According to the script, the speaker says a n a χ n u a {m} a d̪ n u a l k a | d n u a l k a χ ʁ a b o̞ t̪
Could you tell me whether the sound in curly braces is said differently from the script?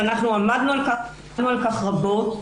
no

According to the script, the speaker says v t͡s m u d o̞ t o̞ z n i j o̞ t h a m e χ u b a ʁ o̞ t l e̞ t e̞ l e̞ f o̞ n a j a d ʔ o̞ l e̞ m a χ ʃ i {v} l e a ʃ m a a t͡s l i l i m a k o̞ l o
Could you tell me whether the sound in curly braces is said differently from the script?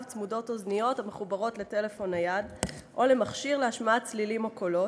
yes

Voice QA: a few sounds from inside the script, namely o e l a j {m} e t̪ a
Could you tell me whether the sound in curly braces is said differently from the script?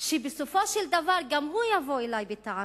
yes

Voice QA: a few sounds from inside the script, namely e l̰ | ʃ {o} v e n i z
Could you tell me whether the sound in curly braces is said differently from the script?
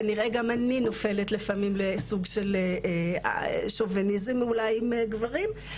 no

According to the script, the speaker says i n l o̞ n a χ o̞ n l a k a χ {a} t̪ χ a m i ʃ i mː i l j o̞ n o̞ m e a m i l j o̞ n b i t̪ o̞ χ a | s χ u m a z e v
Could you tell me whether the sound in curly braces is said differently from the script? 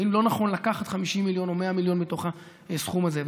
no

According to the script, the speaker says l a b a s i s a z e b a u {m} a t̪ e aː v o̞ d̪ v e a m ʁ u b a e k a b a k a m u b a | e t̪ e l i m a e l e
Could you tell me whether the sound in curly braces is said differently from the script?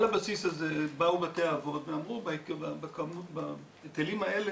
yes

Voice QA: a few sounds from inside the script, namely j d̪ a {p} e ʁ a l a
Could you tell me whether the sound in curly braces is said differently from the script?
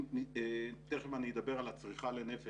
yes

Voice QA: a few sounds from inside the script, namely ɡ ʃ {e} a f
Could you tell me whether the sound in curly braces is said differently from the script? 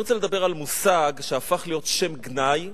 no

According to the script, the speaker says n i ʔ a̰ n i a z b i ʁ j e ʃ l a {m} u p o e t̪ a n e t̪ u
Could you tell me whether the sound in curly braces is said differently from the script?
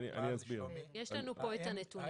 yes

